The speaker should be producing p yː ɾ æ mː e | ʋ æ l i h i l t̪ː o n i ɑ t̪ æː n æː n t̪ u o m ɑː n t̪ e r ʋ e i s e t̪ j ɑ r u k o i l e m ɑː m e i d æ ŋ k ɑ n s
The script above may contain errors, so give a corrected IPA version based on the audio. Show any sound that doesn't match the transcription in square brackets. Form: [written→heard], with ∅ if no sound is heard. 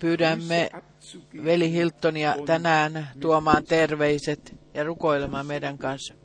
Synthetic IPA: p yː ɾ æ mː e | ʋ [æ→e] l i h i l t̪ː o n i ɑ t̪ [æː→æ] n æː n t̪ u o m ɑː n t̪ e r ʋ e i s e t̪ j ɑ r u k o i l e m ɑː m e i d æ ŋ k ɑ n s